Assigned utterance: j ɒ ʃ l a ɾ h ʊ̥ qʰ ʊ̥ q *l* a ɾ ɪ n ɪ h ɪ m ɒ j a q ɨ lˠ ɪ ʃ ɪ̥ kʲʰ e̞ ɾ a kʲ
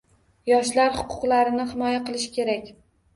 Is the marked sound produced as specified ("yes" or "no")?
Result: yes